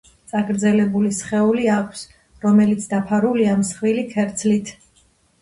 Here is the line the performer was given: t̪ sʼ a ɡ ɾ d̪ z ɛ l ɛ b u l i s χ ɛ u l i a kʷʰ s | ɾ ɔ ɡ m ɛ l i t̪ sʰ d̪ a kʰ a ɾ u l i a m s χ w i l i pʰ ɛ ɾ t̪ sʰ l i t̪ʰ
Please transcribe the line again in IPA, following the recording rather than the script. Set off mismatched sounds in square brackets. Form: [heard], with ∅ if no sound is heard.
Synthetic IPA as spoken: t̪ sʼ a ɡ ɾ d̪ z ɛ l ɛ b u l i s χ ɛ u l i a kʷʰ s | ɾ ɔ [∅] m ɛ l i t̪ sʰ d̪ a [pʰ] a ɾ u l i a m s χ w i l i [kʰ] ɛ ɾ t̪ sʰ l i t̪ʰ